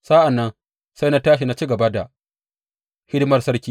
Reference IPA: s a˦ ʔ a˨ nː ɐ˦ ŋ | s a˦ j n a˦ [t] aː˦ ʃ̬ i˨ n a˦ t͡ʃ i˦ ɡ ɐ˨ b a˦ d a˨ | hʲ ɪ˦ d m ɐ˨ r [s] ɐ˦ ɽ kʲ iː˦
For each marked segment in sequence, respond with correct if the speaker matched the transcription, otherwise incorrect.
correct, correct

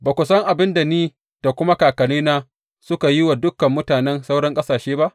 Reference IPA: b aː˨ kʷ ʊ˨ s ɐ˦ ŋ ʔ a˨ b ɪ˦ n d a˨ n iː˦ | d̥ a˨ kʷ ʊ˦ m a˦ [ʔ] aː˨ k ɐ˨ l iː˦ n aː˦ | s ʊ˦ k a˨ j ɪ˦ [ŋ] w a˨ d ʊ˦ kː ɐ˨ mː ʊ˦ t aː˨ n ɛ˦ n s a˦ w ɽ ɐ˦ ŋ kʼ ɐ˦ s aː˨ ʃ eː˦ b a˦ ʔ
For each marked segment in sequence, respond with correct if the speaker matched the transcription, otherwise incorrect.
incorrect: k, incorrect: none

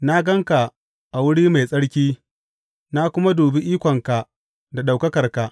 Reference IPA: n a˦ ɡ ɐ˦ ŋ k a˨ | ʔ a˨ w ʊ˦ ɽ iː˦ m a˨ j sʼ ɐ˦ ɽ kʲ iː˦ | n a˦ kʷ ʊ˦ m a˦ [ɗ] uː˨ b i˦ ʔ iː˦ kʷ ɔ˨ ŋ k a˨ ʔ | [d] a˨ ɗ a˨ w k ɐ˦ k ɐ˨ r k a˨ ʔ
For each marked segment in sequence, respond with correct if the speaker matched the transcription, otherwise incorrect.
incorrect: d, correct

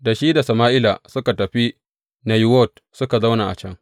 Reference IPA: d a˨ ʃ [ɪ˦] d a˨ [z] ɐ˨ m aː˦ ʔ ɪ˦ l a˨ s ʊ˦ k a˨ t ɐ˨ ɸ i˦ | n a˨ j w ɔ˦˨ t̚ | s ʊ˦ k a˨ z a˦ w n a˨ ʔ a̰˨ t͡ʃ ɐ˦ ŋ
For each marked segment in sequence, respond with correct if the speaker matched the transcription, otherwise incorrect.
incorrect: i˦, incorrect: s

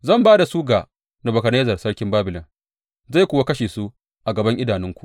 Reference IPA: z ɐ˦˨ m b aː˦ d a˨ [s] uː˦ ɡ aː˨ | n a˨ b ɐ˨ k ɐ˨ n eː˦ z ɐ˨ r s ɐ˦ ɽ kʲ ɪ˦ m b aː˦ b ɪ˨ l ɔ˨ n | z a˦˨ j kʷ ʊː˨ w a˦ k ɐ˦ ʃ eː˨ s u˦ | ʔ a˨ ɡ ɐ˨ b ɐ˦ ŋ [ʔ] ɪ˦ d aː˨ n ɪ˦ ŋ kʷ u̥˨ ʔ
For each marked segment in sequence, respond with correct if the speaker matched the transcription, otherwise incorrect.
correct, correct

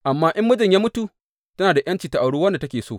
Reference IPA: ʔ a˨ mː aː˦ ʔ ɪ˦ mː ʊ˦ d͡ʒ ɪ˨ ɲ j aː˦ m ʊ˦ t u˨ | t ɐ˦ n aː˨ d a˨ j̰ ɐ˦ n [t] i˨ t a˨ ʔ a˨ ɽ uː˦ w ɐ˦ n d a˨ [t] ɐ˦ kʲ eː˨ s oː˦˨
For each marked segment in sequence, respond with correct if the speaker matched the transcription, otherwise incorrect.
incorrect: t͡ʃ, correct

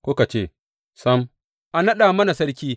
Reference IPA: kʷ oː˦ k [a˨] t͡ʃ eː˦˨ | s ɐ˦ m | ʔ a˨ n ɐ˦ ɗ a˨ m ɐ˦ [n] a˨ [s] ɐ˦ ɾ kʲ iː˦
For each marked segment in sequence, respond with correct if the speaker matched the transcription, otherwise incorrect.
correct, correct, correct

